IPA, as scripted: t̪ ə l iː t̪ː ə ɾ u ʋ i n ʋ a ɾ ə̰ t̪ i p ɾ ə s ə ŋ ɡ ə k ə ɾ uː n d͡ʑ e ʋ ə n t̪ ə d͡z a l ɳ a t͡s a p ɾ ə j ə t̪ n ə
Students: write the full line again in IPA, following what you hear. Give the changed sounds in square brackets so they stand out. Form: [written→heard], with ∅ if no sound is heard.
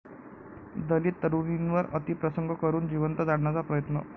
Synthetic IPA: [t̪→d̪] ə l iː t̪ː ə ɾ u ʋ i n ʋ [a→ə] ɾ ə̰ t̪ i p ɾ ə s ə ŋ ɡ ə k ə ɾ uː n d͡ʑ [e→i] ʋ ə n t̪ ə d͡z a [l→ɽ] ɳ a t͡s a p ɾ ə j ə t̪ n ə